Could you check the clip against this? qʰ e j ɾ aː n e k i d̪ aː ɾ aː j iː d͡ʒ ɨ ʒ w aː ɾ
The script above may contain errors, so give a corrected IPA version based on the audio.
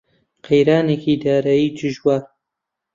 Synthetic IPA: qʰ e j ɾ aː n e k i d̪ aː ɾ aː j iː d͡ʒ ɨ ʒ w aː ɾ